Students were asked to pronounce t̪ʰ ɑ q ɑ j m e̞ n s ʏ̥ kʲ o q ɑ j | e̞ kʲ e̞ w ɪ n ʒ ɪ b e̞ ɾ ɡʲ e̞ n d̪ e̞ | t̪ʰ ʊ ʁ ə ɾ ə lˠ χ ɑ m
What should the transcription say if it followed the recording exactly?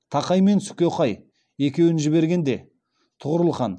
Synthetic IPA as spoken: t̪ʰ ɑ q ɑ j m e̞ n s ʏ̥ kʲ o q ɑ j | e̞ kʲ e̞ w ɪ n ʒ ɪ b e̞ ɾ ɡʲ e̞ n d̪ e̞ | t̪ʰ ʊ ʁ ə ɾ ə lˠ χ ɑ n